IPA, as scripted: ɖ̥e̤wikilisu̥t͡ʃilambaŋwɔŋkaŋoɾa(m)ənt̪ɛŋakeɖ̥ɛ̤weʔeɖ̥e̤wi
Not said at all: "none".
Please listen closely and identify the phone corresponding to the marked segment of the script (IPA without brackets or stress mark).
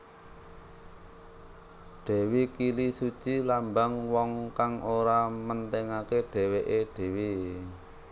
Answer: m